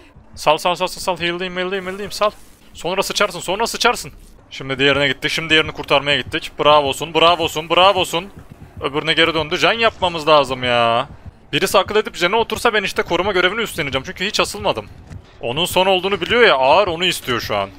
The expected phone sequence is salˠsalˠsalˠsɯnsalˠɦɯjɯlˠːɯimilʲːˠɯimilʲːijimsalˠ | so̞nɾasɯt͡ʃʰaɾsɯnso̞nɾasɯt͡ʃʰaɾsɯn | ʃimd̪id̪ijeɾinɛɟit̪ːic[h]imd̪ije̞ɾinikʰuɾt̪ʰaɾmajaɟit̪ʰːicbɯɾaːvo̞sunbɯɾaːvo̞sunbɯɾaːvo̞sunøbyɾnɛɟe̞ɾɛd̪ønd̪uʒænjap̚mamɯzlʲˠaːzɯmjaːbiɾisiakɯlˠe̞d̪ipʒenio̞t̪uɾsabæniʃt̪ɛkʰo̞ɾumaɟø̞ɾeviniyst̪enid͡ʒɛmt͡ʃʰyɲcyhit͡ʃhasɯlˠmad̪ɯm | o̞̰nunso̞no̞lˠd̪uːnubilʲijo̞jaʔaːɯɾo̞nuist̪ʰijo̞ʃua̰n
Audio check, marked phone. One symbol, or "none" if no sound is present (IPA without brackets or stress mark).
ʃ